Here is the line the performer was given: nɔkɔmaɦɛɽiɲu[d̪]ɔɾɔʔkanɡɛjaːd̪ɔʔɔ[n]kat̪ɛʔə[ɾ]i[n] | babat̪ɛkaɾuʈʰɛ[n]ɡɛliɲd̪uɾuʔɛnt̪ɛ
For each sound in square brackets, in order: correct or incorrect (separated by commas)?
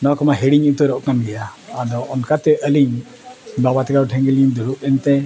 incorrect, correct, incorrect, incorrect, incorrect